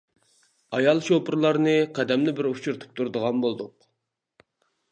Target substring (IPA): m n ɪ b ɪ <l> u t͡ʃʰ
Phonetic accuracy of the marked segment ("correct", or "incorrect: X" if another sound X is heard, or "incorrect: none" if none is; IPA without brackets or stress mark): incorrect: ɾ